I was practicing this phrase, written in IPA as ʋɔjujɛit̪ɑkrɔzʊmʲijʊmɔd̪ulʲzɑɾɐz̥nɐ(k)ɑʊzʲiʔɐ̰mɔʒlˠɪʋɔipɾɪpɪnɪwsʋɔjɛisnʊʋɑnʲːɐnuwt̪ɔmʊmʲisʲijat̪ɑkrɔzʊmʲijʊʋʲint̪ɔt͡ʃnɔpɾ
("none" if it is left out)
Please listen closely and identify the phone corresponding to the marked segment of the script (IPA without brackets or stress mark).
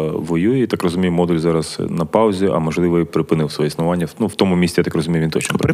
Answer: p